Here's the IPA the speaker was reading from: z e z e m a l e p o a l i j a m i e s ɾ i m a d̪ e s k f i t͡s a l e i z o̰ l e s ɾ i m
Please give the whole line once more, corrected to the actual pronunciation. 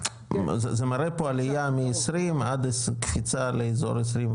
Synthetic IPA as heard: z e z e m a ɾ e p o a l i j a m i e s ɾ i m a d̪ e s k f i t͡s a l e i z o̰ ɾ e s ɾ i m